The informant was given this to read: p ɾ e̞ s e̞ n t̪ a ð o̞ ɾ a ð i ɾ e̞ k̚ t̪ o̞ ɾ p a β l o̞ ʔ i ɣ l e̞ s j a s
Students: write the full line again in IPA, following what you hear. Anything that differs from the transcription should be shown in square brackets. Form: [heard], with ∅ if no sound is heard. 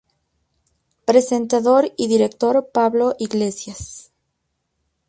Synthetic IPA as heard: p ɾ e̞ s e̞ n t̪ a ð o̞ ɾ [i] ð i ɾ e̞ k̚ t̪ o̞ ɾ p a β l o̞ ʔ i ɣ l e̞ s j a s